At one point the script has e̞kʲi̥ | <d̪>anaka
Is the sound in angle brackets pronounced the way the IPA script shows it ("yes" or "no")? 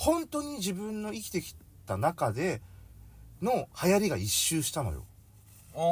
no